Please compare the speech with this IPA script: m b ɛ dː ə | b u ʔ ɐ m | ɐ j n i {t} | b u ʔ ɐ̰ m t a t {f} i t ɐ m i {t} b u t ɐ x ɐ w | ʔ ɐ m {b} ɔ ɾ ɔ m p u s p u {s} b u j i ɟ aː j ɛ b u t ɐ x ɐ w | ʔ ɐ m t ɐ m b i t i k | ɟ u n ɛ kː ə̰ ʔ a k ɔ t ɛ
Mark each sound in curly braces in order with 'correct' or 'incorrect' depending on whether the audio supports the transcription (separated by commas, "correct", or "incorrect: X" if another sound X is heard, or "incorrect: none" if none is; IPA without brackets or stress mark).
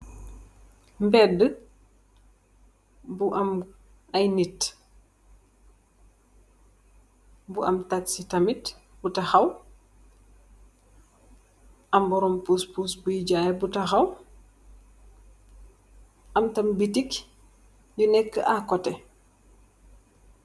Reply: correct, incorrect: s, correct, correct, correct